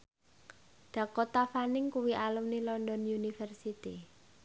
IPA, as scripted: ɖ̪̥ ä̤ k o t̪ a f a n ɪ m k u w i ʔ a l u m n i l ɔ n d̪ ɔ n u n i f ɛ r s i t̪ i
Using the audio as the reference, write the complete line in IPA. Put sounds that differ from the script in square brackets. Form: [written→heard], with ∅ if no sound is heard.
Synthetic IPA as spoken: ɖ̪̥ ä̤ k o t̪ a f a n ɪ [m→ŋ] k u w i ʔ a l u m n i l ɔ n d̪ ɔ n u n i f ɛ r s i t̪ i

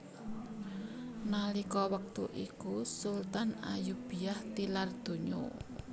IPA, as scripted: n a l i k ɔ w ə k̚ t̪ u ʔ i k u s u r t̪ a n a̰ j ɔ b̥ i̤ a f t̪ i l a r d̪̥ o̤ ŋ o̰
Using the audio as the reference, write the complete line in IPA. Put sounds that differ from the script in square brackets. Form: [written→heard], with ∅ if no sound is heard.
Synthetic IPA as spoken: n a l i k ɔ w ə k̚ t̪ u ʔ i k u s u [r→l] t̪ a n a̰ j [ɔ→u] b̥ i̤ a [f→h] t̪ i l a r d̪̥ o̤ [ŋ→ɲ] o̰

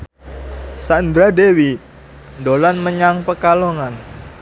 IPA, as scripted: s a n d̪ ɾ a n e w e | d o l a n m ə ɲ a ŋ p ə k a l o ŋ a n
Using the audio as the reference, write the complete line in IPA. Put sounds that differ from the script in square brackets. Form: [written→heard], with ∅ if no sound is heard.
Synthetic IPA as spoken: s a n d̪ ɾ a [n→d] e w [e→i] | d o l a n m ə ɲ a ŋ p ə k a l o ŋ a n

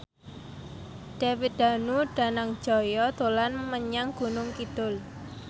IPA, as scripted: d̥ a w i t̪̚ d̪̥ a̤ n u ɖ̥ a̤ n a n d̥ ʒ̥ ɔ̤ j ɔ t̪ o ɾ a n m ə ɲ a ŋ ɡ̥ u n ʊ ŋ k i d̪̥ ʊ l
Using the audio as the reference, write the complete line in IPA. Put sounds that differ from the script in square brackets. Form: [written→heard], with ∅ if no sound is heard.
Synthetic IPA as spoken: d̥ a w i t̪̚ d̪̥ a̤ n u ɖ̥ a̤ n a [n→ŋ] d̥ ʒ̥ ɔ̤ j ɔ t̪ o [ɾ→l] a n m ə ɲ a ŋ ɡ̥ u n ʊ ŋ k i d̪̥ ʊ l

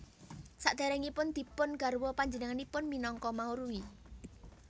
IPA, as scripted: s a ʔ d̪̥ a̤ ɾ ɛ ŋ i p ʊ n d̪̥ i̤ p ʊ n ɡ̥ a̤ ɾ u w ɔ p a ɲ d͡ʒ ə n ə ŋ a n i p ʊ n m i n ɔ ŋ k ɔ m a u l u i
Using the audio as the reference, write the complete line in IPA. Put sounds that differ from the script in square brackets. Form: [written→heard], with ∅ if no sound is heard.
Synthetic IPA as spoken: s a ʔ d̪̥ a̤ ɾ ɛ ŋ i p ʊ n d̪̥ i̤ p ʊ n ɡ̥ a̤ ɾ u w ɔ p a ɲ d͡ʒ ə n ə ŋ a n i p ʊ n m i n ɔ ŋ k ɔ m a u [l→ɾ] u i

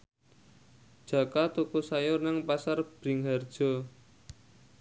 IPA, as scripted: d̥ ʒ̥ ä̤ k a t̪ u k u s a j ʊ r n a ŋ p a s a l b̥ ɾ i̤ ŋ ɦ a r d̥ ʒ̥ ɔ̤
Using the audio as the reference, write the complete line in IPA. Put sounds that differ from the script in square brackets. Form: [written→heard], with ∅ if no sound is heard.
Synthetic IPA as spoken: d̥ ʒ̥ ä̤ k a t̪ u k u s a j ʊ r n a ŋ p a s a [l→r] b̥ ɾ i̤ ŋ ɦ a r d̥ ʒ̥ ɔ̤

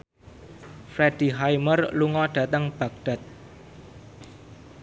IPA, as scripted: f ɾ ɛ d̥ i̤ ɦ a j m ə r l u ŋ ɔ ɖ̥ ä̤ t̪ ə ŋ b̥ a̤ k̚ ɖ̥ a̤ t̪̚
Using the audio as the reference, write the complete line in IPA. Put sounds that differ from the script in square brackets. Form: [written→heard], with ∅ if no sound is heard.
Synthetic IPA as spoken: f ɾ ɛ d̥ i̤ ɦ a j m ə r l u ŋ ɔ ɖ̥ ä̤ t̪ ə ŋ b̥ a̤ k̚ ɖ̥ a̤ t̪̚

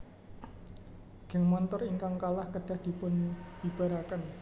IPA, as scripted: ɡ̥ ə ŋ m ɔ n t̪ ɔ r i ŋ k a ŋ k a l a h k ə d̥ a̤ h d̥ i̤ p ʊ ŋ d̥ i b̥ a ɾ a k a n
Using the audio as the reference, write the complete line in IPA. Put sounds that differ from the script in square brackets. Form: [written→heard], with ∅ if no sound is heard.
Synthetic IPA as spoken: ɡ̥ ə ŋ m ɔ n t̪ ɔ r i ŋ k a ŋ k a l a h k ə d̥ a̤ h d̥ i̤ p ʊ [ŋ→n] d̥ i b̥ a ɾ a k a n

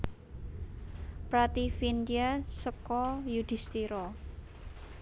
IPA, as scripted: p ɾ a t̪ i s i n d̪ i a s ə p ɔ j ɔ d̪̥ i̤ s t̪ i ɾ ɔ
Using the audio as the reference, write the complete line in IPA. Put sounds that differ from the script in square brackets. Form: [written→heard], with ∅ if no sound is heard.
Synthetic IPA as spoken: p ɾ a t̪ i [s→f] i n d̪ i a s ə [p→k] ɔ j [ɔ→u] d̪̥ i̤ s t̪ i ɾ ɔ

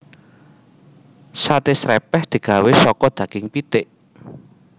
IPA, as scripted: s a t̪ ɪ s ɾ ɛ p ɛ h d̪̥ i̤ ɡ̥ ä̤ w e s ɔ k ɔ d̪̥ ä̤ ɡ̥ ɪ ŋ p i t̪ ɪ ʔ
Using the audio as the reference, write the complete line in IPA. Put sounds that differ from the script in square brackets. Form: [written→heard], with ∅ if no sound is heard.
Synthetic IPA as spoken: s a t̪ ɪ s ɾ ɛ p ɛ h d̪̥ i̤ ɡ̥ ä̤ w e s ɔ k ɔ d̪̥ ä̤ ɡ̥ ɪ ŋ p i t̪ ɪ ʔ

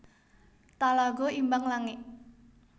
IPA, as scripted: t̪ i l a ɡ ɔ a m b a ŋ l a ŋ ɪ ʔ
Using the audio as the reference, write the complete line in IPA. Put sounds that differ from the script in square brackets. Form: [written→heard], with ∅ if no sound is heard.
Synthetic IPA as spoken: t̪ [i→a] l a ɡ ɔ [a→i] m b a ŋ l a ŋ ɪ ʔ

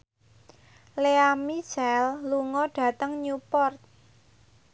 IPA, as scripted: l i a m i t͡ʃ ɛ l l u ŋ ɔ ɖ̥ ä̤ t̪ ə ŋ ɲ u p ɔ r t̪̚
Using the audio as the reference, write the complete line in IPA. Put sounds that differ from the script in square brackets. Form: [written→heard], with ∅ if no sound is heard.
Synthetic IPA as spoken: l [i→e] a m i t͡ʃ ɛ l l u ŋ ɔ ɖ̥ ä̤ t̪ ə ŋ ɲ u p ɔ r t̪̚

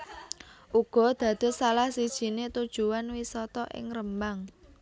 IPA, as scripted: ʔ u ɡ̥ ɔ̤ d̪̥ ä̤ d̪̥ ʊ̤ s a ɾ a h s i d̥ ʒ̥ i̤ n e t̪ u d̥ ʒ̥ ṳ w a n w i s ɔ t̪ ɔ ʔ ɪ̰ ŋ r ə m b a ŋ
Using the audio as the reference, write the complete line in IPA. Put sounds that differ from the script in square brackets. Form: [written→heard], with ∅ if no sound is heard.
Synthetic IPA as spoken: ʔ u ɡ̥ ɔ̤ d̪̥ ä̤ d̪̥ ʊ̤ s a [ɾ→l] a h s i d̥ ʒ̥ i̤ n e t̪ u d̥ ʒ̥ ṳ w a n w i s ɔ t̪ ɔ ʔ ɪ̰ ŋ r ə m b a ŋ

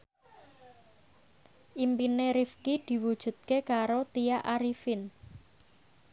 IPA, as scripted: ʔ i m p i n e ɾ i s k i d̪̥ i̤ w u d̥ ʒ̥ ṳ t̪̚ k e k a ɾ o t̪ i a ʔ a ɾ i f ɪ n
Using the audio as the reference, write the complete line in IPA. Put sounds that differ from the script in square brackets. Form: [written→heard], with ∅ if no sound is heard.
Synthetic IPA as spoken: ʔ i m p i n e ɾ i [s→f] k i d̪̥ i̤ w u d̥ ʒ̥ ṳ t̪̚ k e k a ɾ o t̪ i a ʔ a ɾ i f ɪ n

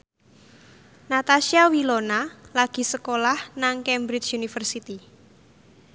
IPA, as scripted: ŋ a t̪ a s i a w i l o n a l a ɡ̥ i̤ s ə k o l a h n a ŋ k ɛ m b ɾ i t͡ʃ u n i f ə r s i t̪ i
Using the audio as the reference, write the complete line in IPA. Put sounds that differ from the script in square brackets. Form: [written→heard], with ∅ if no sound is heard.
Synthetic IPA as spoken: [ŋ→n] a t̪ a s i a w i l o n a l a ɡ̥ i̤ s ə k o l a h n a ŋ k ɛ m b ɾ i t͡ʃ u n i f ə r s i t̪ i

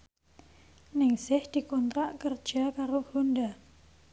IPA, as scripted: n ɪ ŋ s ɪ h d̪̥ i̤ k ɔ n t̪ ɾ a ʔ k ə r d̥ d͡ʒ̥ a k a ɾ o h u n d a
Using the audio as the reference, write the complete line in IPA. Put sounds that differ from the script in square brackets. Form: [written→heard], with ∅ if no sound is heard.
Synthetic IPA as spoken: n ɪ ŋ s ɪ h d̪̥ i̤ k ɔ n t̪ ɾ a ʔ k ə r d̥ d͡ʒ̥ a k a ɾ o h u n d a

